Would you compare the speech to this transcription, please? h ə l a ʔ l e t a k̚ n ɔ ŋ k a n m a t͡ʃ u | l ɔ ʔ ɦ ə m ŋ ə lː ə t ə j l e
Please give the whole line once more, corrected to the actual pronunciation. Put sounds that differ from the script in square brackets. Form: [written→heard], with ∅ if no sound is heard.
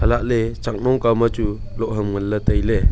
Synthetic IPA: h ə l a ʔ l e [t→t͡ʃ] a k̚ n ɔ ŋ k a [n→∅] m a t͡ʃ u | l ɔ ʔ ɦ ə m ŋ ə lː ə t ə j l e